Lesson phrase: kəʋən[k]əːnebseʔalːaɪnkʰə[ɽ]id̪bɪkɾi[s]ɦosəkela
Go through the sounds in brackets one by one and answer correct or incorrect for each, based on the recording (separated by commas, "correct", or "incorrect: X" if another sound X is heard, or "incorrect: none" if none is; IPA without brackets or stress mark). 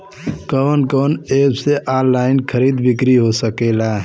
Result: correct, incorrect: ɾ, incorrect: none